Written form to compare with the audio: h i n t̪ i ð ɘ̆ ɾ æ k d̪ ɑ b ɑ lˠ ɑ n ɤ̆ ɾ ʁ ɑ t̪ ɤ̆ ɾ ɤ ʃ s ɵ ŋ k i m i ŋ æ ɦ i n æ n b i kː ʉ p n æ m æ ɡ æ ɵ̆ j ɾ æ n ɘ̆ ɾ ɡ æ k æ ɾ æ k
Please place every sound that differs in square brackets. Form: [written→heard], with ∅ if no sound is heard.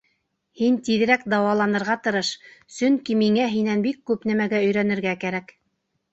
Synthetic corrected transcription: h i n t̪ i ð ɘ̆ ɾ æ k d̪ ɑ [b→w] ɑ lˠ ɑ n ɤ̆ ɾ ʁ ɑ t̪ ɤ̆ ɾ ɤ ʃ s ɵ ŋ k i m i ŋ æ ɦ i n æ n b i kː ʉ p n æ m æ ɡ æ ɵ̆ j ɾ æ n ɘ̆ ɾ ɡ æ k æ ɾ æ k